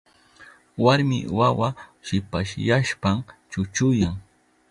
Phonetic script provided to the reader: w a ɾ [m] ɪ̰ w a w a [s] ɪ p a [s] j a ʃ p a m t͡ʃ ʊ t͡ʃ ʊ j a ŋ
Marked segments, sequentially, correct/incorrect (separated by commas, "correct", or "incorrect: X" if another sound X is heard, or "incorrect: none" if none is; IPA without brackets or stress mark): correct, incorrect: ʃ, incorrect: ʃ